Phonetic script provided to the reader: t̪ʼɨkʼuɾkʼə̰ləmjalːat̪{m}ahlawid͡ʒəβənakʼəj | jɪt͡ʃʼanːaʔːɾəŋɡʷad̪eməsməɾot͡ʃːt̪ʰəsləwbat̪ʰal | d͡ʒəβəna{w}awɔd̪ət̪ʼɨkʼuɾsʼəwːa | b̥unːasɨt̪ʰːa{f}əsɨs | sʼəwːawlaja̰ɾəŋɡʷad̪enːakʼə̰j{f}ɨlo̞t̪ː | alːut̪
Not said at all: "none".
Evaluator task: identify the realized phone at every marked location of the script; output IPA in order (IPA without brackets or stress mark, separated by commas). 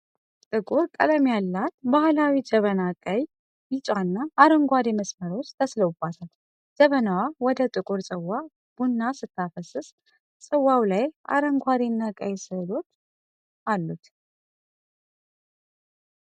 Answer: b, w, f, s